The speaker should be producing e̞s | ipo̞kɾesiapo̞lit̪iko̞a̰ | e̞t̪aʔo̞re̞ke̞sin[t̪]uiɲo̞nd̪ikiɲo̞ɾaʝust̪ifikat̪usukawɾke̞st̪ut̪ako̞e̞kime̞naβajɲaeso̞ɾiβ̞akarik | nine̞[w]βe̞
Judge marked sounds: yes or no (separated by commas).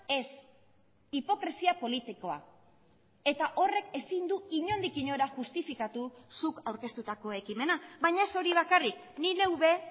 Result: no, yes